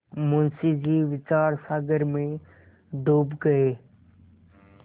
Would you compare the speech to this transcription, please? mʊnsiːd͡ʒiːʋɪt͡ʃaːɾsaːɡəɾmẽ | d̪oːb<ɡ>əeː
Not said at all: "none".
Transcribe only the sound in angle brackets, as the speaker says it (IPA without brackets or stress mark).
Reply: ɡ